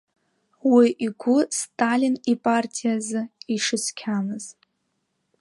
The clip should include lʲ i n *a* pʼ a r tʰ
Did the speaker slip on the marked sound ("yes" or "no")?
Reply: yes